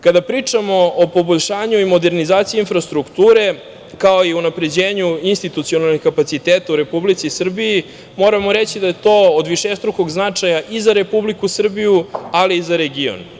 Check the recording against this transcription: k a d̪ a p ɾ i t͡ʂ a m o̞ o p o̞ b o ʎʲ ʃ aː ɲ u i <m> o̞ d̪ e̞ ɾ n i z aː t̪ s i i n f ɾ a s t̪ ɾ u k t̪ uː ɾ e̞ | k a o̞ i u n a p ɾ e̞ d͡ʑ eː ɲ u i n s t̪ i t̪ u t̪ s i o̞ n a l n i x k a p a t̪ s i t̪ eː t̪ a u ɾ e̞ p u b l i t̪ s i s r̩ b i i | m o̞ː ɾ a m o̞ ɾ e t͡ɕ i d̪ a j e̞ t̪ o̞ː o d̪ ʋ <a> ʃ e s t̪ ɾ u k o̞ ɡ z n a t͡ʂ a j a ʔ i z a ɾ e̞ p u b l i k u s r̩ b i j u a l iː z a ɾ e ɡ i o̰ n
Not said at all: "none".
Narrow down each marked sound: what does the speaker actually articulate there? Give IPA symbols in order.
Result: m, i

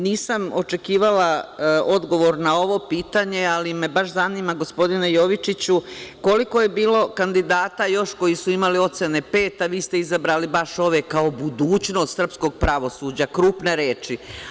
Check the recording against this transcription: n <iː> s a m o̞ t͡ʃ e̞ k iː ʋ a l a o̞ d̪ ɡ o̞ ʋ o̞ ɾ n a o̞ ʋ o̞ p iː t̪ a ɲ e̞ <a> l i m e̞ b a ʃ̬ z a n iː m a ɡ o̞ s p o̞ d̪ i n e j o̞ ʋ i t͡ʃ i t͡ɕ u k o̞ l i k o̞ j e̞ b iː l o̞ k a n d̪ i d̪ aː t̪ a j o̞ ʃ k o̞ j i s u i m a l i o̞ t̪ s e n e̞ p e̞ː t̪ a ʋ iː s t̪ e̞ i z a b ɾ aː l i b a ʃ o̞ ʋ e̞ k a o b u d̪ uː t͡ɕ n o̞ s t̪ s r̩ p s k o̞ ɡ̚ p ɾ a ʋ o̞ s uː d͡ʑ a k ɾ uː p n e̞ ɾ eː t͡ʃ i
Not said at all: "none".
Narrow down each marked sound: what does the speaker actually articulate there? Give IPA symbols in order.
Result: iː, a

